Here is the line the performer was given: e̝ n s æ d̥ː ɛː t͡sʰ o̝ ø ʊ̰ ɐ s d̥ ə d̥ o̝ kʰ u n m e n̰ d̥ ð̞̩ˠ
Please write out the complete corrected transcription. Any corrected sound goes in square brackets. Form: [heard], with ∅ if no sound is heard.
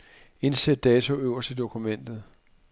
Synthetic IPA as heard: e̝ n s [e] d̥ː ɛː t͡sʰ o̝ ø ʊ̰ ɐ s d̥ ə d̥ o̝ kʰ u [∅] m e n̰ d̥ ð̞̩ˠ